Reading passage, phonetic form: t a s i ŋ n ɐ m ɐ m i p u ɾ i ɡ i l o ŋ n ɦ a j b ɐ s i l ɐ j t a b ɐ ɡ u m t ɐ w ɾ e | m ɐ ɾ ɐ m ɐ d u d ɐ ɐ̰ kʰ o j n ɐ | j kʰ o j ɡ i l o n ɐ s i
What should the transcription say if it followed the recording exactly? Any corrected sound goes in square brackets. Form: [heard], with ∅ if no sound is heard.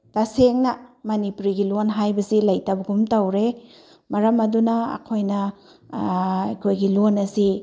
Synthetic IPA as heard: t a s [e] ŋ n ɐ m ɐ [n] i p u ɾ i ɡ i l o [∅] n ɦ a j b ɐ s i l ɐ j t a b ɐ ɡ u m t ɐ w ɾ e | m ɐ ɾ ɐ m ɐ d u [n] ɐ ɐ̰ kʰ o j n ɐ | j kʰ o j ɡ i l o n ɐ s i